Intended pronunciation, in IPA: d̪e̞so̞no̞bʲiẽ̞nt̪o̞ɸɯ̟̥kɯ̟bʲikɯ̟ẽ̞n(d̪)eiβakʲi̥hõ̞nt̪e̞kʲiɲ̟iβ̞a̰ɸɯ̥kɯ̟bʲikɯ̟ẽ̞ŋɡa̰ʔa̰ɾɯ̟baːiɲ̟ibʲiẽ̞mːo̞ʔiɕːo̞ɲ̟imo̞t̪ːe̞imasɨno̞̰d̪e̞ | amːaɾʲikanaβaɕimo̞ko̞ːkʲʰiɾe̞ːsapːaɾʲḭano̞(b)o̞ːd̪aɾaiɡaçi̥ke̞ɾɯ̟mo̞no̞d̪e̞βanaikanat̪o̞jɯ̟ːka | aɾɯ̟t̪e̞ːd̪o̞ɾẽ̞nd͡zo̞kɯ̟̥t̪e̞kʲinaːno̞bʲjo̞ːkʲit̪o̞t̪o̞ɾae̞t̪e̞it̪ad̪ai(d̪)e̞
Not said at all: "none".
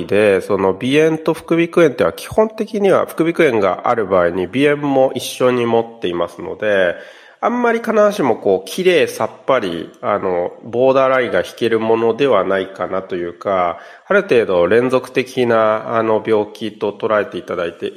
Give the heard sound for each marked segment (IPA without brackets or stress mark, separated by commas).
t̪, b, t̪